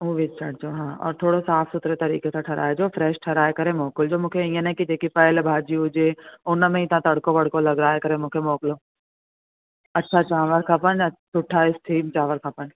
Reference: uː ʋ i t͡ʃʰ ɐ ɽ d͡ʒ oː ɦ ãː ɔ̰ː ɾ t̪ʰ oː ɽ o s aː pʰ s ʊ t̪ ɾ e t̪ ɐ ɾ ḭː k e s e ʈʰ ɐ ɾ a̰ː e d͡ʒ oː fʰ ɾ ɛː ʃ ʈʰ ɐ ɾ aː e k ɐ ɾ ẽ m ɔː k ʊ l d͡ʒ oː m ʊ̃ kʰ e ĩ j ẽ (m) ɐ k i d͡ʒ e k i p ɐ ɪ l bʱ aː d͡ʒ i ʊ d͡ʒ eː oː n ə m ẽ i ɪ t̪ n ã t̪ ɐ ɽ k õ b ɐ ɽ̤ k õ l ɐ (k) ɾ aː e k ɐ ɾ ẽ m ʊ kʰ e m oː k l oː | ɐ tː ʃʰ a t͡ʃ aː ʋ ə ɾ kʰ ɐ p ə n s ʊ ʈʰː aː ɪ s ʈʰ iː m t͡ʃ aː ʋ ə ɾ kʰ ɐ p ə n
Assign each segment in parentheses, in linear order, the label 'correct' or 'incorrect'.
incorrect, incorrect

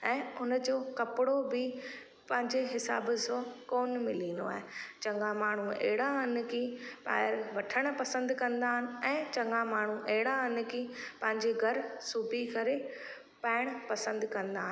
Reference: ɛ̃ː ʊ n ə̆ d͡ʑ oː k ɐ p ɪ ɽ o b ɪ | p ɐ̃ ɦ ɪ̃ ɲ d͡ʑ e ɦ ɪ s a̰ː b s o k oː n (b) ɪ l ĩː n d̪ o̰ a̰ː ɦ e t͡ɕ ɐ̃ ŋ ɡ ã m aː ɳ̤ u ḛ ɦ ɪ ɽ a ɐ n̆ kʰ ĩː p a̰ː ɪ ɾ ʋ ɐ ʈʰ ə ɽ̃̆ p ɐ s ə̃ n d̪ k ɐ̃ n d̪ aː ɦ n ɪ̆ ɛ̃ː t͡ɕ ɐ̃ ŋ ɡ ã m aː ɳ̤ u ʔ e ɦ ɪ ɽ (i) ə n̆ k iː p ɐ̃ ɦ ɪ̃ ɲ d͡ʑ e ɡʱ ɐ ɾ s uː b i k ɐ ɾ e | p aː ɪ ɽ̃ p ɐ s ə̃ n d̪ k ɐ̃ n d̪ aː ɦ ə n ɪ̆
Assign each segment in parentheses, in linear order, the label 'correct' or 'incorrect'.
incorrect, incorrect

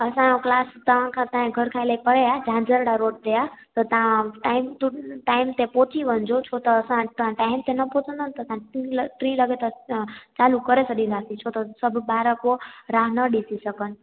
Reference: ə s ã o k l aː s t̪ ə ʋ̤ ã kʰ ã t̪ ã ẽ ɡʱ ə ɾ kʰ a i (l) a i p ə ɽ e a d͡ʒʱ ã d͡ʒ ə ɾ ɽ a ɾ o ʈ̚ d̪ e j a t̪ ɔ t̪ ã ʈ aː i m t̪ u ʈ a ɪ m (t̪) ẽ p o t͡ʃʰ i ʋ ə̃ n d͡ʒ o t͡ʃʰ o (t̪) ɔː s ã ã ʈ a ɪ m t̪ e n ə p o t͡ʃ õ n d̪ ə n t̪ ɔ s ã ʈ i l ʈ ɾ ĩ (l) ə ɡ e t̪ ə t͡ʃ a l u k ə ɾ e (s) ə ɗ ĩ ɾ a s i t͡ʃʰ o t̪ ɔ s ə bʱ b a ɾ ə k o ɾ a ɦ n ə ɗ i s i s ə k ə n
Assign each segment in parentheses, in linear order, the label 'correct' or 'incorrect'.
correct, correct, correct, correct, correct

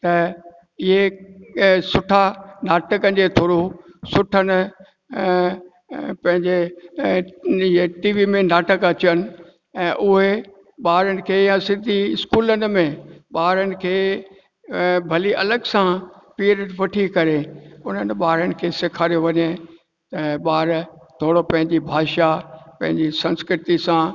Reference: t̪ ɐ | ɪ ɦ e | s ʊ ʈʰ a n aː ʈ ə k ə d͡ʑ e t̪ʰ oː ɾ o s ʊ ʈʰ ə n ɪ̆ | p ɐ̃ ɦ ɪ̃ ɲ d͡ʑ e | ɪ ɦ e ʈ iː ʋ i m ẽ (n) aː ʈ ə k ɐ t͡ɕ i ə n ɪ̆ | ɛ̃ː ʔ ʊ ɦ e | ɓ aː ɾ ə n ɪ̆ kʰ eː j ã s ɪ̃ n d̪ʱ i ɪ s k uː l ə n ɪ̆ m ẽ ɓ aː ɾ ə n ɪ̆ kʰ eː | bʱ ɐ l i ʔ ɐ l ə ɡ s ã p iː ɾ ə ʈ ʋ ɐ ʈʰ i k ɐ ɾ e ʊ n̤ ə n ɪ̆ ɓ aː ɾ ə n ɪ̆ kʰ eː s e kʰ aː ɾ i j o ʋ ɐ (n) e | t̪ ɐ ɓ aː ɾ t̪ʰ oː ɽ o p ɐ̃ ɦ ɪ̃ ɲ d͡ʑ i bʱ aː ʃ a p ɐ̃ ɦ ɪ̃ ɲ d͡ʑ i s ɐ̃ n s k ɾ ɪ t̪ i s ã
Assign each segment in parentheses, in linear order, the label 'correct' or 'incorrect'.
correct, incorrect

